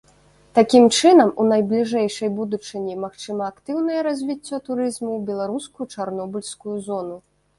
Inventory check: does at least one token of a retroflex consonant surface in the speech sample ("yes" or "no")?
yes